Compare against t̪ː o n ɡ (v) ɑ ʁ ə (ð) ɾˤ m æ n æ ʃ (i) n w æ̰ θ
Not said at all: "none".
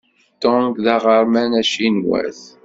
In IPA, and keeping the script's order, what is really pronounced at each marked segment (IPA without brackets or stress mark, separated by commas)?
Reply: ð, none, i